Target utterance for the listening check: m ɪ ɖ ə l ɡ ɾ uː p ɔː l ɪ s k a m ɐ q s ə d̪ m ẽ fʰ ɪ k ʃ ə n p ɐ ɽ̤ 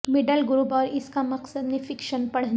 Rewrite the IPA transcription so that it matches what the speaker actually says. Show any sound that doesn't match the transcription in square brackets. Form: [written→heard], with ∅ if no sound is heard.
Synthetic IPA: m ɪ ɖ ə l ɡ ɾ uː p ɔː [l→ɾ] ɪ s k a m ɐ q s ə d̪ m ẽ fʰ ɪ k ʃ ə n p ɐ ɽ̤